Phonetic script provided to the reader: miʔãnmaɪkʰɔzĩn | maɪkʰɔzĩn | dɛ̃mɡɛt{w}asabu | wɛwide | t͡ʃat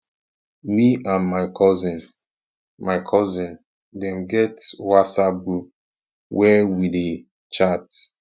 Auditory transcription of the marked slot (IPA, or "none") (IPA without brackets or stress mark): w